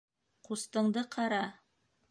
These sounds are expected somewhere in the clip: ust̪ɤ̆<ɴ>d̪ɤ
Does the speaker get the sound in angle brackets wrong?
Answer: no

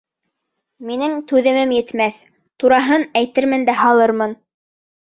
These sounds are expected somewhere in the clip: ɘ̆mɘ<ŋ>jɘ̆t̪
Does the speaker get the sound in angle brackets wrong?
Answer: yes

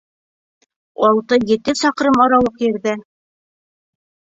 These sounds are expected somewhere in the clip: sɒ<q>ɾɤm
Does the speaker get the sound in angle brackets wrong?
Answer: no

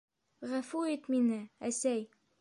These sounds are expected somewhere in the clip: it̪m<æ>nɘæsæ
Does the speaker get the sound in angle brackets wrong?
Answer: yes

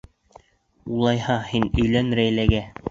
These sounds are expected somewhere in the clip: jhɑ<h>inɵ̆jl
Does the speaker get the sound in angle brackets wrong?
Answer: no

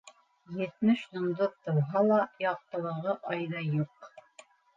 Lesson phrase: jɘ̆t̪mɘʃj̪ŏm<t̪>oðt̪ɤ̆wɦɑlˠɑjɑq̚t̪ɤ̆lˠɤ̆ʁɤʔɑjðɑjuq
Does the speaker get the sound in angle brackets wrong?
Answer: yes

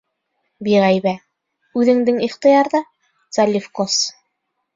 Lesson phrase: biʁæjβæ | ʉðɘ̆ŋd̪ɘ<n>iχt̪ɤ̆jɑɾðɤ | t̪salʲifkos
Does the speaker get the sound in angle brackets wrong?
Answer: yes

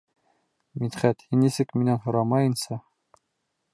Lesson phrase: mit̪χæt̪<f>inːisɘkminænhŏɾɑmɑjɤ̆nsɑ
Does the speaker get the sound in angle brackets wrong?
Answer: yes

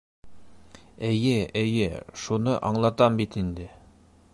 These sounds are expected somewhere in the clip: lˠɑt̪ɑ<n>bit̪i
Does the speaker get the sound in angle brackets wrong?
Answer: yes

